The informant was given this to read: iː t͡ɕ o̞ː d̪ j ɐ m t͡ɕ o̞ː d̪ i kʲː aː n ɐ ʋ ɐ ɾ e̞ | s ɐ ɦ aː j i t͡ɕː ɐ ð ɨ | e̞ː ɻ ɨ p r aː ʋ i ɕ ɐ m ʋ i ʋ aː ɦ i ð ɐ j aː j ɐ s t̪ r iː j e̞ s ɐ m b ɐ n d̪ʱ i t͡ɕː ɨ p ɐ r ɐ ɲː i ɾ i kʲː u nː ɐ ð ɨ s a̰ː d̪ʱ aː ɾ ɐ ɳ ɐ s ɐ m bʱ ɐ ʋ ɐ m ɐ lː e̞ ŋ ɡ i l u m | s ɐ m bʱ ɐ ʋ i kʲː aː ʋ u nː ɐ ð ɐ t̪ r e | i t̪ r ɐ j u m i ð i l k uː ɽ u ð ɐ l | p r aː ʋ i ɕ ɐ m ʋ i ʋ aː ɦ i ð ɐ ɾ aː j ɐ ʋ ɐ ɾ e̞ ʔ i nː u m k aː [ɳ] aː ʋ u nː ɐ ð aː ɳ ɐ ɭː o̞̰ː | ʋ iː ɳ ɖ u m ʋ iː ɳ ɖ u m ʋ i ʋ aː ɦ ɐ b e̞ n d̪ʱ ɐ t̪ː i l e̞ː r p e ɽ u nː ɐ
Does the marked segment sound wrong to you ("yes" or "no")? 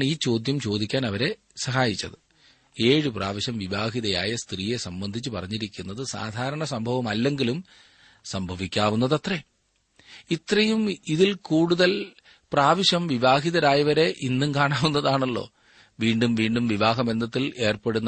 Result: no